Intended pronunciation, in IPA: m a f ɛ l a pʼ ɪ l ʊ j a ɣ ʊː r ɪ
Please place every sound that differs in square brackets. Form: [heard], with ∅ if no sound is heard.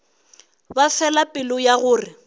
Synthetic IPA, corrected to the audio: [b] a f ɛ l a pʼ ɪ l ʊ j a ɣ ʊː r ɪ